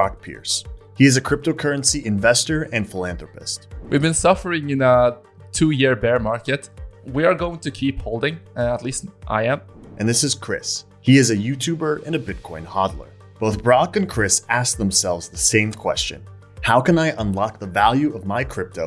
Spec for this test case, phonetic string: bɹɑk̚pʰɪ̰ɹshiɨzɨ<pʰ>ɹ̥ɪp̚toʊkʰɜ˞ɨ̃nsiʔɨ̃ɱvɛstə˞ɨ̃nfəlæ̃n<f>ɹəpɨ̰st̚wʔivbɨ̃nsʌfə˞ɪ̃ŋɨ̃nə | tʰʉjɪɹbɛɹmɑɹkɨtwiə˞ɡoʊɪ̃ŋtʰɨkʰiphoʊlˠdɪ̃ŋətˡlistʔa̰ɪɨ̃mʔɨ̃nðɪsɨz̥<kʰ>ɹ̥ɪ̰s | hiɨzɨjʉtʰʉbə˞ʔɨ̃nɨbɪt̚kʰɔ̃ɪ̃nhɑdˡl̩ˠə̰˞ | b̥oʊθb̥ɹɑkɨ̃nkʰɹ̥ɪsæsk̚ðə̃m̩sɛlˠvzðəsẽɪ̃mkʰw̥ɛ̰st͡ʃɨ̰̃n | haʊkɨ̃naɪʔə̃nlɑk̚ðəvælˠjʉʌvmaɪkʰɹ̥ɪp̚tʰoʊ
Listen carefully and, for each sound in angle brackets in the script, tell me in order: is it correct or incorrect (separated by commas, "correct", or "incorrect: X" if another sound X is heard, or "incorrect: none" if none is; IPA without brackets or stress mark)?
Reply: incorrect: kʰ, incorrect: θ, correct